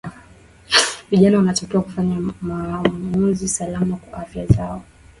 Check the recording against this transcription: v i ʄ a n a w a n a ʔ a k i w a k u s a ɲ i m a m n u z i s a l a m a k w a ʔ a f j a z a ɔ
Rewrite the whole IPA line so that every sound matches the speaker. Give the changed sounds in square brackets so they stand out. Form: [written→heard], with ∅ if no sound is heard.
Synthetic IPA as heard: v i ʄ a n a w a n a [ʔ→t] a k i w a k u [s→f] a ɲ [i→a] m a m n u z i s a l a m a k w a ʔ a f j a z a ɔ